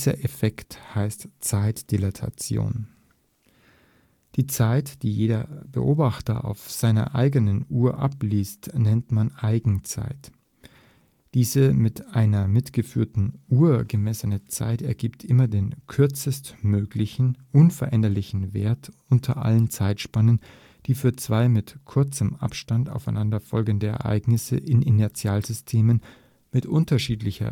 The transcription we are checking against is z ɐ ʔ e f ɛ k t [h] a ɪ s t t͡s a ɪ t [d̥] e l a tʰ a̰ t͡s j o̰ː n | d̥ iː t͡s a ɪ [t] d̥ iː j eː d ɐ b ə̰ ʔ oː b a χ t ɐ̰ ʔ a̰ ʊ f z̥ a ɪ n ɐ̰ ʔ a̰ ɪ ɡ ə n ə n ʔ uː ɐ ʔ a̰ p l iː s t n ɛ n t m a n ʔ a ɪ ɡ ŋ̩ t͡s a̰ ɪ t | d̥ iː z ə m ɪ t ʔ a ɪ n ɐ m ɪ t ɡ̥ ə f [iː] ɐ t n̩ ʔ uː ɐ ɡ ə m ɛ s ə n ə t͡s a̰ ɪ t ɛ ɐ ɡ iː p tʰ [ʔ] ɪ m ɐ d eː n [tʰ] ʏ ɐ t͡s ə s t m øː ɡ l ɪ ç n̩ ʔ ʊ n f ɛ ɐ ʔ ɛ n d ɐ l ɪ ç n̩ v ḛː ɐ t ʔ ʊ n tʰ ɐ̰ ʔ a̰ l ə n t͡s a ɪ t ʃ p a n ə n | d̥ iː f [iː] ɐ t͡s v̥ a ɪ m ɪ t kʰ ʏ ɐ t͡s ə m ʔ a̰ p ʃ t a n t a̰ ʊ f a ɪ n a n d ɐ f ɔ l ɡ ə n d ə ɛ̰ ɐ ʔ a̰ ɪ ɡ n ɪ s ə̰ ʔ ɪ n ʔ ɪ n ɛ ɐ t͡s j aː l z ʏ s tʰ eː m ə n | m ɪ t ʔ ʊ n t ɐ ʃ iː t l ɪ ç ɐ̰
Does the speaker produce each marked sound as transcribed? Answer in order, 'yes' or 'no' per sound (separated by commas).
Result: yes, yes, yes, no, yes, no, no